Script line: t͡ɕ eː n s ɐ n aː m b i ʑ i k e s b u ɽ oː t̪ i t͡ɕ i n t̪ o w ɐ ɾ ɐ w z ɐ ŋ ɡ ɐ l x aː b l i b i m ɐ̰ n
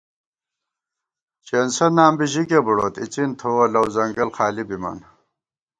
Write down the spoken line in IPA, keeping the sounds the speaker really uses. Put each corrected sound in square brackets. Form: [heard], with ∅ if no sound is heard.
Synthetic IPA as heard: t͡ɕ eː n s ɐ n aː m b i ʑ i k e [∅] b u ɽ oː t̪ i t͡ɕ i n [t̪ʰ] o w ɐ [l] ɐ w z ɐ ŋ ɡ ɐ l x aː [∅] l i b i m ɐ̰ n